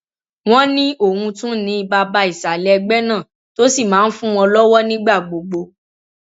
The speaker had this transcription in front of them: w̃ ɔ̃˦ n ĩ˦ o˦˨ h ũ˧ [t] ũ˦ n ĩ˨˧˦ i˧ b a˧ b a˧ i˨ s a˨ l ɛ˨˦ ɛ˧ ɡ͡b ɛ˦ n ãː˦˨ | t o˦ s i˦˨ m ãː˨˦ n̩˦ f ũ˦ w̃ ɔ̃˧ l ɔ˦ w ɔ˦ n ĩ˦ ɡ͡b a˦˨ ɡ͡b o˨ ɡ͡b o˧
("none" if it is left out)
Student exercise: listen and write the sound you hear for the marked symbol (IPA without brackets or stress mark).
t